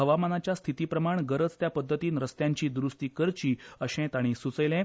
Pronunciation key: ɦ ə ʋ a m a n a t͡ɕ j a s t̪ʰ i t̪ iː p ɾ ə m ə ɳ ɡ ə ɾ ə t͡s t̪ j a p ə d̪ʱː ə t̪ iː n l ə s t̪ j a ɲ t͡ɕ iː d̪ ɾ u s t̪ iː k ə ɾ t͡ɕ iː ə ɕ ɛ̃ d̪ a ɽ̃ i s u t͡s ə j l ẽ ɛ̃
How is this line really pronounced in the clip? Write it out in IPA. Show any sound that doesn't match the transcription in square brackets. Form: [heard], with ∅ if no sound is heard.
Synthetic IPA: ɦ ə ʋ a m a n a t͡ɕ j a s t̪ʰ i t̪ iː p ɾ ə m [a] ɳ ɡ ə ɾ ə t͡s t̪ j a p ə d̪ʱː ə t̪ iː n [ɾ] ə s t̪ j a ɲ t͡ɕ iː d̪ ɾ u s t̪ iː k ə ɾ t͡ɕ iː ə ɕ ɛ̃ [t̪] a ɽ̃ i s u t͡s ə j l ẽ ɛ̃

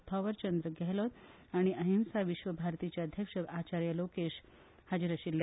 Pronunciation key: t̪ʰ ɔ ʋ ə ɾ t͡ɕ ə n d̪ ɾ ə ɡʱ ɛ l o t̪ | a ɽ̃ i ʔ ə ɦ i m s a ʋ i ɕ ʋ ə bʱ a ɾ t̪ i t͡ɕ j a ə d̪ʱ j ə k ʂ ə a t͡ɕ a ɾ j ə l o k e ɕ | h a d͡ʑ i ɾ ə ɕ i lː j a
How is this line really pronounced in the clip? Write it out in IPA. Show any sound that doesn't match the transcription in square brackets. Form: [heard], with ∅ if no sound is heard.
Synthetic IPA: t̪ʰ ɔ ʋ ə ɾ t͡ɕ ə n d̪ ɾ ə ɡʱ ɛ l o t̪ | a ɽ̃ i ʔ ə ɦ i m s a ʋ i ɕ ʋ ə bʱ a ɾ t̪ i t͡ɕ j a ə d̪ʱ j ə k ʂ ə a t͡ɕ a ɾ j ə l o k e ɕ | h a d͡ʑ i ɾ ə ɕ i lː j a

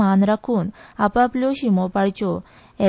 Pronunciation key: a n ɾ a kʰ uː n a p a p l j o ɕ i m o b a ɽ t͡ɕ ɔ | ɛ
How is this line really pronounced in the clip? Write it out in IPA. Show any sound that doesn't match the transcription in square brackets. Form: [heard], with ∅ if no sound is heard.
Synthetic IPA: a n ɾ a kʰ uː n a p a p l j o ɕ i m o [p] a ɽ t͡ɕ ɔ | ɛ

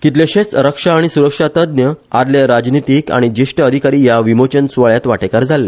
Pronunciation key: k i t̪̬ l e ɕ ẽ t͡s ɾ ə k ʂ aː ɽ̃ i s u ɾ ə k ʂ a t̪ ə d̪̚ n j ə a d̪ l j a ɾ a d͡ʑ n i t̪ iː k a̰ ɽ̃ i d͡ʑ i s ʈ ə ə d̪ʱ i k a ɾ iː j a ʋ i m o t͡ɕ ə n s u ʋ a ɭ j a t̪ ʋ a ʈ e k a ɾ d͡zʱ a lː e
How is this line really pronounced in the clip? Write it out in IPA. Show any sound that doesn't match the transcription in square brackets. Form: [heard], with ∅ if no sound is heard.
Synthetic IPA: k i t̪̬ l e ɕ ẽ t͡s ɾ ə k ʂ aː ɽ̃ i s u ɾ ə k ʂ a t̪ ə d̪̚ n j ə a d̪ l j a ɾ a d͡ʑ n i t̪ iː k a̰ ɽ̃ i d͡ʑ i [ʂ] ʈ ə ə d̪ʱ i k a ɾ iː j a ʋ i m o t͡ɕ ə n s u ʋ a ɭ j a t̪ ʋ a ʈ e k a ɾ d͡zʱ a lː e

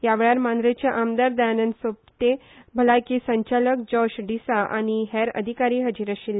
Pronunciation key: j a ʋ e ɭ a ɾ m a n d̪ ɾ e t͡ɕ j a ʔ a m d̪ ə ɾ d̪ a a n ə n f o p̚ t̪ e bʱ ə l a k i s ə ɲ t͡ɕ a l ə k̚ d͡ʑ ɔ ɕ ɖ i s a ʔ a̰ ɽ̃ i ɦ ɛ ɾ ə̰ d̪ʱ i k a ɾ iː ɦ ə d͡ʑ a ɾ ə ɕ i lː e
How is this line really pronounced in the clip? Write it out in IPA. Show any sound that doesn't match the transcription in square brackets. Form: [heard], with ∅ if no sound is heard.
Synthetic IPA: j a ʋ e ɭ a ɾ m a n d̪ ɾ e t͡ɕ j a ʔ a m d̪ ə ɾ d̪ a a n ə n [s] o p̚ t̪ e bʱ ə l a k i s ə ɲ t͡ɕ a l ə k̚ d͡ʑ ɔ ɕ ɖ i s a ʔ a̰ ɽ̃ i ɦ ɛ ɾ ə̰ d̪ʱ i k a ɾ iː ɦ ə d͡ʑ [i] ɾ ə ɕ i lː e

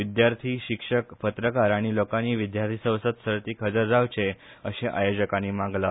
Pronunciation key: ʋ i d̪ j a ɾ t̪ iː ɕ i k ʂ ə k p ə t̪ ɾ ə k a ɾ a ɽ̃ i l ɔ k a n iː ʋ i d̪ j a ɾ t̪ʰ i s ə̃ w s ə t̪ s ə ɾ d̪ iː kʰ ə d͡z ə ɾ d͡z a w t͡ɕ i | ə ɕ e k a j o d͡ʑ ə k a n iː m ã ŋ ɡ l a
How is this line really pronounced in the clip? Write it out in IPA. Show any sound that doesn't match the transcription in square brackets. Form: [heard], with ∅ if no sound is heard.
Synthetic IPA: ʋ i d̪ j a ɾ [t̪ʰ] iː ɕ i k ʂ ə k p ə t̪ ɾ ə k a ɾ a ɽ̃ i l [o] k a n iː ʋ i d̪ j a ɾ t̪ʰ i s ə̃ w s ə t̪ s ə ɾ [t̪] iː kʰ ə d͡z ə ɾ d͡z a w t͡ɕ [e] | ə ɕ e [ʔ] a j o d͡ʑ ə k a n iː m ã ŋ ɡ l a

